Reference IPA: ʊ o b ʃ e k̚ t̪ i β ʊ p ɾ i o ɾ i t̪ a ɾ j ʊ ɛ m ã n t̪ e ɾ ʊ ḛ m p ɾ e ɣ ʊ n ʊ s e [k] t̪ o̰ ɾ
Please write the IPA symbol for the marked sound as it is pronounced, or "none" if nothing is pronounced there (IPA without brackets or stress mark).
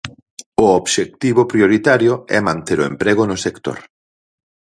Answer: k